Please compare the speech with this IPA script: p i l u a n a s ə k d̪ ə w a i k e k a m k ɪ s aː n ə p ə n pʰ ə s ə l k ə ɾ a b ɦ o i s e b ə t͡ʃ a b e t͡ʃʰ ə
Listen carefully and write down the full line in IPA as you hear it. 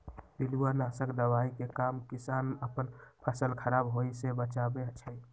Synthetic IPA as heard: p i l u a n a s ə k d̪ ə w a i k e k a m k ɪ s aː n ə p ə n pʰ ə s ə l kʰ ə ɾ a b ɦ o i s e b ə t͡ʃ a b e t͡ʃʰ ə